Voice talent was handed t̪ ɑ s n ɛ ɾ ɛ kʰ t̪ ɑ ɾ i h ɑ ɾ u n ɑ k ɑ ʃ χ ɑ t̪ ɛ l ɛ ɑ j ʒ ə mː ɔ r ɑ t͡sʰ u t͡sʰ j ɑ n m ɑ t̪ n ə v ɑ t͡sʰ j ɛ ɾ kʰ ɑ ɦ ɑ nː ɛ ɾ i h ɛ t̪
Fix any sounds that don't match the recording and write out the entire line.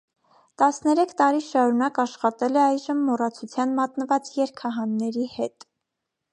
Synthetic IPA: t̪ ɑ s n ɛ ɾ ɛ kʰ t̪ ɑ ɾ i ʃ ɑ ɾ u n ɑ k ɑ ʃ χ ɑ t̪ ɛ l ɛ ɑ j ʒ ə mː ɔ r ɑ t͡sʰ u t͡sʰ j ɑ n m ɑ t̪ n ə v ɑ t͡s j ɛ ɾ kʰ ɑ ɦ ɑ nː ɛ ɾ i h ɛ t̪